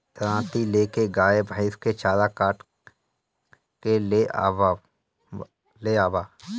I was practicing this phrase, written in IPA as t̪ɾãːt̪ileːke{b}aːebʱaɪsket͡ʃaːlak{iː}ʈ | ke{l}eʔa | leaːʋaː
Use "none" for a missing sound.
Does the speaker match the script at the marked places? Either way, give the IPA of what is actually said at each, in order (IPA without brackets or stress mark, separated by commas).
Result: ɡ, aː, l